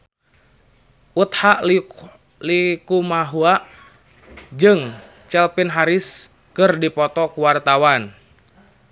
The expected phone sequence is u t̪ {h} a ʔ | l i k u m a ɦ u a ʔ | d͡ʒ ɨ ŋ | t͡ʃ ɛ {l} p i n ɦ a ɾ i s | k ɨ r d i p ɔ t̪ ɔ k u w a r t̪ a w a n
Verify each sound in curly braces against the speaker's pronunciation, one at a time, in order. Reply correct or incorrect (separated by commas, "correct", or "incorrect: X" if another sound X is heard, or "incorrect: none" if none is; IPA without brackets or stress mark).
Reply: correct, correct